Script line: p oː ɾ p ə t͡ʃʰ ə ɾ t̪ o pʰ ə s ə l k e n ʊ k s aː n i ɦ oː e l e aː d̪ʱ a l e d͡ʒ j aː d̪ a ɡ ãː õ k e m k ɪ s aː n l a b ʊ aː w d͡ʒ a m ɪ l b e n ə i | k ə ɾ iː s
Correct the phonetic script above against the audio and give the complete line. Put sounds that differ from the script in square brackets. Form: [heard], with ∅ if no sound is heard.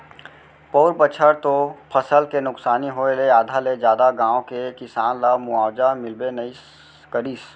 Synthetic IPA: p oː ɾ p ə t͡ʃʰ ə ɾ t̪ o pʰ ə s ə l k e n ʊ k s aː n i ɦ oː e l e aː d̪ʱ a l e d͡ʒ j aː d̪ a ɡ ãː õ k e [∅] k ɪ s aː n l a [m] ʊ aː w d͡ʒ a m ɪ l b e n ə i | k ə ɾ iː s